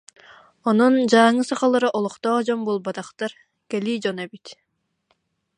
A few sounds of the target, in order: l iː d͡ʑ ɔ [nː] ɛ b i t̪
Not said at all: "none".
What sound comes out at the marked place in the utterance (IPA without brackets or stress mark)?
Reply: n